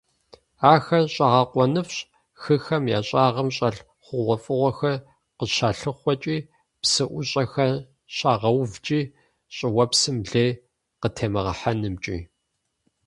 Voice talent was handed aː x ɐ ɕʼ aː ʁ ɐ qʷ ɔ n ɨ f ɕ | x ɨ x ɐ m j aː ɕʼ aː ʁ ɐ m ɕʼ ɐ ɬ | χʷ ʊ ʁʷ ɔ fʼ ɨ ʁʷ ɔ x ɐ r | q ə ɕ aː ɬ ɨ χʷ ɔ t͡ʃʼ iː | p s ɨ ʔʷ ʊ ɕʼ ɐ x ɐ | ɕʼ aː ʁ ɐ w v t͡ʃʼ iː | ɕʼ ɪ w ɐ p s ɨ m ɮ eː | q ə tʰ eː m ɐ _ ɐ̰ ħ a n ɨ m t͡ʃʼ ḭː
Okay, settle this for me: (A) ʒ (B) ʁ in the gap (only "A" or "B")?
B